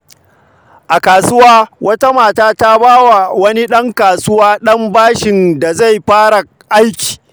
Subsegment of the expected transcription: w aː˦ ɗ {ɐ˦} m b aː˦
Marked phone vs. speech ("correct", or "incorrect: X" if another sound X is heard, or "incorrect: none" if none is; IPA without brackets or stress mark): correct